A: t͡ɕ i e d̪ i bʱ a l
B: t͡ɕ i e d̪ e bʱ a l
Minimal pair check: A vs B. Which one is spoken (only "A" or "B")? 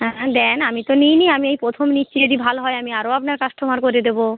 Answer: A